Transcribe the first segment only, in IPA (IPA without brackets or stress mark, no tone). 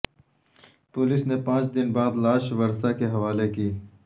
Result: p